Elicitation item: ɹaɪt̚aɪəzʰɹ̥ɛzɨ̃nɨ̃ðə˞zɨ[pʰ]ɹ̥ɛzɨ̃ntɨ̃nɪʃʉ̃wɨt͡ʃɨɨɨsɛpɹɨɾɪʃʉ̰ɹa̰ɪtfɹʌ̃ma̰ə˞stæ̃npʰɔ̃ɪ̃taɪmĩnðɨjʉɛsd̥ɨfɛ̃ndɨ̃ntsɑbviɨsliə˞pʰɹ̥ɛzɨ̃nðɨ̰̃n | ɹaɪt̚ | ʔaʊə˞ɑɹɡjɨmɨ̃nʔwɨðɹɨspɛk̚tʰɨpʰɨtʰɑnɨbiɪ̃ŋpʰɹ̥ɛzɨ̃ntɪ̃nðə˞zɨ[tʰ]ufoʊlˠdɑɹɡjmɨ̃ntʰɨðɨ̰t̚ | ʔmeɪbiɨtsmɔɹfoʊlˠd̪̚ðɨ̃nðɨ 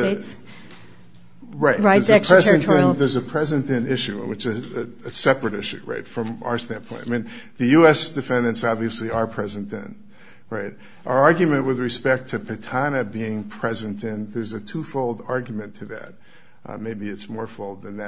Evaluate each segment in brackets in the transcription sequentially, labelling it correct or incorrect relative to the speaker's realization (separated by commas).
correct, correct